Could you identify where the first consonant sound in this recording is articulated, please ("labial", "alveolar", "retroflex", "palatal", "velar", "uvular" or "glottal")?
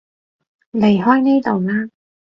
alveolar